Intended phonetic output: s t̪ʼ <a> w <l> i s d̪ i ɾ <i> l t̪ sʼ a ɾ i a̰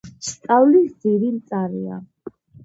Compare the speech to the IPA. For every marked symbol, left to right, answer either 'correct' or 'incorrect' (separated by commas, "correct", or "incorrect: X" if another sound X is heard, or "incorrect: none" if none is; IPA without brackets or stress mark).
correct, correct, correct